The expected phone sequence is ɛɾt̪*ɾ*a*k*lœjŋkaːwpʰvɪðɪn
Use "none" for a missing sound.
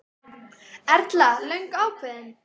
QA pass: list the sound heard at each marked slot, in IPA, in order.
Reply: l, none

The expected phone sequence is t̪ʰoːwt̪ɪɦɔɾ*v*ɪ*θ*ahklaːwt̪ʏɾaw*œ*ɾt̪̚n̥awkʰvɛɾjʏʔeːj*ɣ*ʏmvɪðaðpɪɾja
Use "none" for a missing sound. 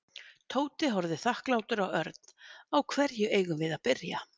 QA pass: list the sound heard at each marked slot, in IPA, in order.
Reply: ð, θ, œ, ɣ

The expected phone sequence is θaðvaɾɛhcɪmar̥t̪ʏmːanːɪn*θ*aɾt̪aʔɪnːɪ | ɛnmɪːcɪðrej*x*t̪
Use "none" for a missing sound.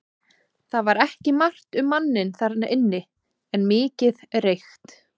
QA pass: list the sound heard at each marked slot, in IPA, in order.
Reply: θ, x

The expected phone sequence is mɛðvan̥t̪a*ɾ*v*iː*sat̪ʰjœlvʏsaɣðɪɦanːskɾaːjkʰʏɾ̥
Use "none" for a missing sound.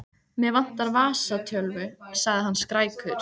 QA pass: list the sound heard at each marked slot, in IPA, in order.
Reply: ɾ, aː

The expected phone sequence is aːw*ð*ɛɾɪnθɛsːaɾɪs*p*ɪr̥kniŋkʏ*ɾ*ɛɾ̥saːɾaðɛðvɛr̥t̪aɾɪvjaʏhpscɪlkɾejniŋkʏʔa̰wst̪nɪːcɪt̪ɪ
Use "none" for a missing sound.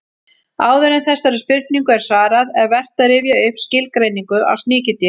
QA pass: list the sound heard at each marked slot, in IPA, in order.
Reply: ð, p, none

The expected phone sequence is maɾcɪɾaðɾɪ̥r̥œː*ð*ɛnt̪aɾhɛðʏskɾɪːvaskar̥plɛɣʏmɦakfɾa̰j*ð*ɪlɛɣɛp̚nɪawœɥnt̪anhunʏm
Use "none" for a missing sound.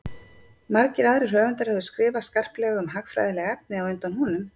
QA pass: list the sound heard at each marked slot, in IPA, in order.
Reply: v, ð

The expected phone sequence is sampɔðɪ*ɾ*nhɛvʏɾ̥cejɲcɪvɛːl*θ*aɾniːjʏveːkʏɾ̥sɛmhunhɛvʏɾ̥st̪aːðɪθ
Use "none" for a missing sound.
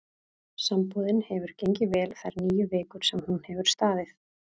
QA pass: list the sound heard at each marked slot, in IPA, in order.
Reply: none, θ

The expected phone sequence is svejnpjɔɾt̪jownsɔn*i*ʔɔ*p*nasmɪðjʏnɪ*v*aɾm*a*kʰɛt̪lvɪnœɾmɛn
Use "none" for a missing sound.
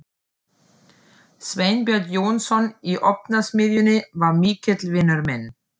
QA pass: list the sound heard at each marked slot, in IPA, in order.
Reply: i, p, v, i

